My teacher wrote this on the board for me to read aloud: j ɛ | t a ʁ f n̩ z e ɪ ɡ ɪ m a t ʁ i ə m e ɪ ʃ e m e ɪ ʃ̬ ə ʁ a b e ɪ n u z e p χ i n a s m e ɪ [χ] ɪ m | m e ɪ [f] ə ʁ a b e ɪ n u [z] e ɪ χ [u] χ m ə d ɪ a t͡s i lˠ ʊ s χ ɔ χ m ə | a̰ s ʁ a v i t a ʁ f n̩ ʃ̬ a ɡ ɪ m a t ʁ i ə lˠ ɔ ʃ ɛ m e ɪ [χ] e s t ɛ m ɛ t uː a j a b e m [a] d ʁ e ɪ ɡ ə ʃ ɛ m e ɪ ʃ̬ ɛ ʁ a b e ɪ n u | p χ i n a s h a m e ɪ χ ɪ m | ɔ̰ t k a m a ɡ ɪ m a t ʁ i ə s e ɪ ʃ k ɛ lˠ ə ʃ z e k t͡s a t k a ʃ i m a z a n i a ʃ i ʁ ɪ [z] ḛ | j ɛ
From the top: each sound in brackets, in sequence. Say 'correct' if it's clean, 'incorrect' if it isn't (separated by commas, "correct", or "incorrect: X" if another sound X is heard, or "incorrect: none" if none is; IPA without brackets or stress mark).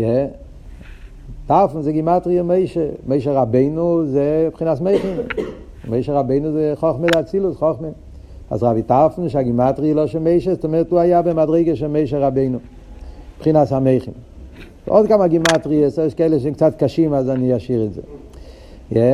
correct, incorrect: ʃ, correct, incorrect: ɔ, incorrect: ʃ, correct, correct